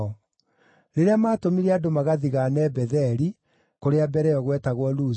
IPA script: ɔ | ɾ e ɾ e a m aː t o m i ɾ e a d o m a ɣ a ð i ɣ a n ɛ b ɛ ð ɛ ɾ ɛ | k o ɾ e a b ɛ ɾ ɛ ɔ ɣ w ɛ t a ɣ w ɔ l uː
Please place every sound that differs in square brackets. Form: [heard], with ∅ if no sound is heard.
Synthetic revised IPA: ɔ | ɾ e ɾ e a m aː t o m i ɾ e a d o m a ɣ a ð i ɣ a n ɛ b ɛ ð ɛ ɾ [i] | k o ɾ e a b ɛ ɾ ɛ ɔ ɣ w ɛ t a ɣ w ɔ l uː